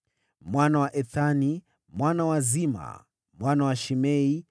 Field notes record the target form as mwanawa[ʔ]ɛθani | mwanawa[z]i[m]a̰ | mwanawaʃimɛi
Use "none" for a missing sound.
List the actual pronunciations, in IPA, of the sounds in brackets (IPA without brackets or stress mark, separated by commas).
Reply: ʔ, z, m